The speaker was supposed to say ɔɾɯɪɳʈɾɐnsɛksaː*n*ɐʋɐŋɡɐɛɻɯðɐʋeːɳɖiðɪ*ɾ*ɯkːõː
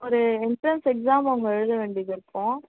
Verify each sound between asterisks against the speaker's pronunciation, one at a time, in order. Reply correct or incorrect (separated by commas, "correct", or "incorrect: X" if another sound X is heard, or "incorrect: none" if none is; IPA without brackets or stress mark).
incorrect: m, correct